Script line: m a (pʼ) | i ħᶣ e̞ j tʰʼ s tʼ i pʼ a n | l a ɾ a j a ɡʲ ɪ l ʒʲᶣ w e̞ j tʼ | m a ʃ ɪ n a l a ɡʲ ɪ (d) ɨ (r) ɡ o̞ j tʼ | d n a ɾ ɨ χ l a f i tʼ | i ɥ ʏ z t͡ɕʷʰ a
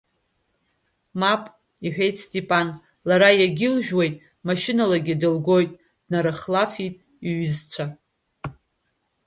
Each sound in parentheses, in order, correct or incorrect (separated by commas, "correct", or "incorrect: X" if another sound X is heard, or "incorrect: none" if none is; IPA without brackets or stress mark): correct, correct, incorrect: l